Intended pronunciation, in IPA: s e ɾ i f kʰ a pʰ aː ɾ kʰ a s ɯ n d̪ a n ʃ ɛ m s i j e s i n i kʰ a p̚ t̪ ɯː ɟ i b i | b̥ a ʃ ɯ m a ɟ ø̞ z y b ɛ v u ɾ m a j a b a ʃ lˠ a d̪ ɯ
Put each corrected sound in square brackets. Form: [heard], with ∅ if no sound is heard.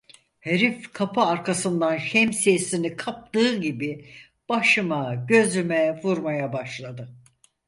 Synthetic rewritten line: [h] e ɾ i f kʰ a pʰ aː ɾ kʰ a s ɯ n d̪ a n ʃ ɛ m s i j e s i n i kʰ a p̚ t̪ ɯː ɟ i b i | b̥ a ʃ ɯ m a ɟ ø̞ z y [m] ɛ v u ɾ m a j a b a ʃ lˠ a d̪ ɯ